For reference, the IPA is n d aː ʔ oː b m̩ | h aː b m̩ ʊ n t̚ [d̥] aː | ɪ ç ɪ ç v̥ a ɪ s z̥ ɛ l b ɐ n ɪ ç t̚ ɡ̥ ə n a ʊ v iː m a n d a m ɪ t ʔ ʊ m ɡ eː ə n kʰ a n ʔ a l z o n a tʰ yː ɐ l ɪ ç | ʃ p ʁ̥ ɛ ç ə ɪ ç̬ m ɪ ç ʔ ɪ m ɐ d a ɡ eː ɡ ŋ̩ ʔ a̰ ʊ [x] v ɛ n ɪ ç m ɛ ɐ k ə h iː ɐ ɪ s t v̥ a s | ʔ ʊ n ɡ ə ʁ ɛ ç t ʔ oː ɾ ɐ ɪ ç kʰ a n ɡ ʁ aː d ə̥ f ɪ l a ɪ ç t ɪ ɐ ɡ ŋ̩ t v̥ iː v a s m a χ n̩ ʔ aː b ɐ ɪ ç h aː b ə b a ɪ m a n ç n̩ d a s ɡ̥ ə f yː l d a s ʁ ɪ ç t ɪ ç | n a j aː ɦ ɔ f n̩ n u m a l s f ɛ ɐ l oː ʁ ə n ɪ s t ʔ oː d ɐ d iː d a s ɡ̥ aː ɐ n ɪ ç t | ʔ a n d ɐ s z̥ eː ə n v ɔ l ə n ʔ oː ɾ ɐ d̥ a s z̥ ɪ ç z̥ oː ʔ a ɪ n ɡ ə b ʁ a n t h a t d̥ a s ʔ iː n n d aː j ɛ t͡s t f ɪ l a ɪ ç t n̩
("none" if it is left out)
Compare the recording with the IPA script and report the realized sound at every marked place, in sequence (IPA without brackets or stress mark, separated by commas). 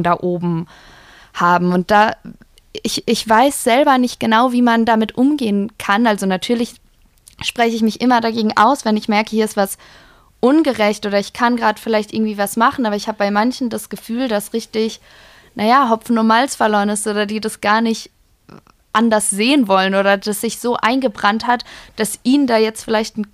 d̥, s